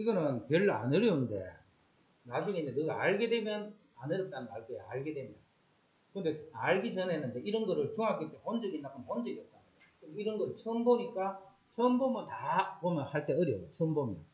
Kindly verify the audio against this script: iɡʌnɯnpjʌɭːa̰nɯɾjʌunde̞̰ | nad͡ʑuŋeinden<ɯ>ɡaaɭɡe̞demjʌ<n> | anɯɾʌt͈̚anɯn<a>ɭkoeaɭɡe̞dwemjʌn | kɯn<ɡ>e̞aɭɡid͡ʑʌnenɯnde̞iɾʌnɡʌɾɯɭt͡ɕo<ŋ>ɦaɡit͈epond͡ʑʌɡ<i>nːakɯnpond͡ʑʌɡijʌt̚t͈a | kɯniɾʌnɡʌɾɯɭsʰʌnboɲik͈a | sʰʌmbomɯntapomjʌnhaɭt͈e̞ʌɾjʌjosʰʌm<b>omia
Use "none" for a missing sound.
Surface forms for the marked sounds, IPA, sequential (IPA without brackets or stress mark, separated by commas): ɯ, n, a, d, ŋ, i, b